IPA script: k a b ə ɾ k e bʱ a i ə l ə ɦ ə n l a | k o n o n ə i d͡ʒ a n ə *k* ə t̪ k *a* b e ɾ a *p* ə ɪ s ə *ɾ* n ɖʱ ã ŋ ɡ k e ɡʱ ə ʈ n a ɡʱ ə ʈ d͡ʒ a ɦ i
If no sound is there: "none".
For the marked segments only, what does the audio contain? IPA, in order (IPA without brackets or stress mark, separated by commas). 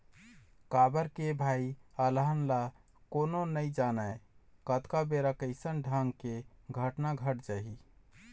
k, a, k, none